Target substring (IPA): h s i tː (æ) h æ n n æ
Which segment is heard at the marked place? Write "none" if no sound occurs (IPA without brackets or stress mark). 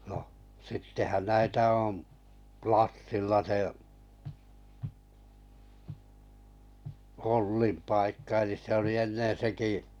e